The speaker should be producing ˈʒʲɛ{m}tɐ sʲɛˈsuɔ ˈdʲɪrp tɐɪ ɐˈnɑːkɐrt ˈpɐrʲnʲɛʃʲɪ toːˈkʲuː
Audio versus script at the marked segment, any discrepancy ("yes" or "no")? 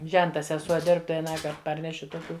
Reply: yes